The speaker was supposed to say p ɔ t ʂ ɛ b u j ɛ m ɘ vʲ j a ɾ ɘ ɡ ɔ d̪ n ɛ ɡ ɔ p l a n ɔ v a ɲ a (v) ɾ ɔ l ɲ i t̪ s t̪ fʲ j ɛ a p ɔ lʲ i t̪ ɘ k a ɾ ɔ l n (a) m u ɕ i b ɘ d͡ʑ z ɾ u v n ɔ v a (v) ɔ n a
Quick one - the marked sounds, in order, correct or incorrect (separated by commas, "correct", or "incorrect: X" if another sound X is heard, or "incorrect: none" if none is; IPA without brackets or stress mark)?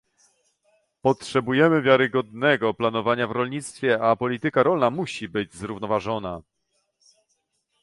correct, correct, incorrect: ʐ